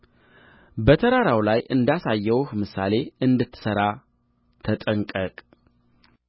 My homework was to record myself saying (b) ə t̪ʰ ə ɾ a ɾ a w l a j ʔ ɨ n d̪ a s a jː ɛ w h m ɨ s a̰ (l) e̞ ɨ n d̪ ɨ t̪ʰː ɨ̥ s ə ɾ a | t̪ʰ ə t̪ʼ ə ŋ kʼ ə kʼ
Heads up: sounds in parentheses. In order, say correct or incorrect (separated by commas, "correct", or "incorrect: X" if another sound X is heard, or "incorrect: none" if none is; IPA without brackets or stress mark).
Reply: correct, correct